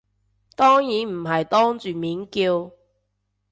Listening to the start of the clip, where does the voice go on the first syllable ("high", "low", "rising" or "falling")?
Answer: high